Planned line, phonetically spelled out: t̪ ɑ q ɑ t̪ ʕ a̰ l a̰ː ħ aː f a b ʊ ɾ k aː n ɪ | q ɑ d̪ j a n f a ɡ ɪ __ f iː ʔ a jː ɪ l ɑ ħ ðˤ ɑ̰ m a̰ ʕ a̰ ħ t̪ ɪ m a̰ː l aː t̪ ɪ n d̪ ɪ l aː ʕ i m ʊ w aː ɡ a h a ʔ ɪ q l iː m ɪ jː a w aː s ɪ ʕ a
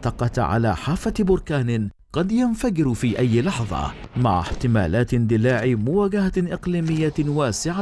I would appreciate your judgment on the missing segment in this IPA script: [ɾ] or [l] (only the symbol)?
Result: ɾ